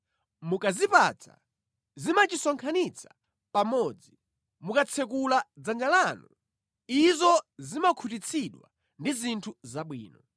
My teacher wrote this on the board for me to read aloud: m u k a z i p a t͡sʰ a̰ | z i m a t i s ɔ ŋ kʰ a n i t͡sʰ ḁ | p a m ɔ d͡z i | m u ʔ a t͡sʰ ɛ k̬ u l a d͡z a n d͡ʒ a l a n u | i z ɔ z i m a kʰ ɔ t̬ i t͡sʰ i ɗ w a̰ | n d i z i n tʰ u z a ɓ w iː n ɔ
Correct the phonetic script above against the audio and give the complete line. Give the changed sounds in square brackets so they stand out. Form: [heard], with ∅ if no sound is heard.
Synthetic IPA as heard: m u k a z i p a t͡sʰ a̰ | z i m a [t͡ʃ] i s ɔ ŋ kʰ a n i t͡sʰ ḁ | p a m ɔ d͡z i | m u [k] a t͡sʰ ɛ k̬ u l a d͡z a n d͡ʒ a l a n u | i z ɔ z i m a kʰ [u] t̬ i t͡sʰ i ɗ w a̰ | n d i z i n tʰ u z a ɓ w iː n ɔ